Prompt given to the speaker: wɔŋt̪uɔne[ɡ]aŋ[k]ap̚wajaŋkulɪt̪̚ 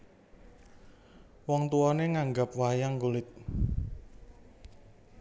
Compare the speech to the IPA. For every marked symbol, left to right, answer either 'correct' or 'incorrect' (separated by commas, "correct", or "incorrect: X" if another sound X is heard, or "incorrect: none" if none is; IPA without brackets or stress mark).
incorrect: ŋ, incorrect: ɡ